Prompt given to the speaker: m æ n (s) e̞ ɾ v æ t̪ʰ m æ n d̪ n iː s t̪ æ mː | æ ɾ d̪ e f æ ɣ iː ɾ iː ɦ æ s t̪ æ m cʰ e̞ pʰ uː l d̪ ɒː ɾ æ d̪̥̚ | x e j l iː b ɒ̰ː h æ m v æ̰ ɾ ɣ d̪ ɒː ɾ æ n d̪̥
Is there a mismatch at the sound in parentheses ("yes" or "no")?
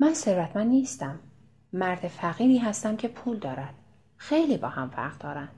no